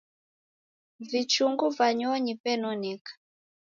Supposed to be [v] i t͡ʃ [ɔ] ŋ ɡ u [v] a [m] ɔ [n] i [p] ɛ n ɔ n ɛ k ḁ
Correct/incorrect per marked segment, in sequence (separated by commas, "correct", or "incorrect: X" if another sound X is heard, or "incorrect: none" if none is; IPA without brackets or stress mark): correct, incorrect: u, correct, incorrect: ɲ, incorrect: ɲ, correct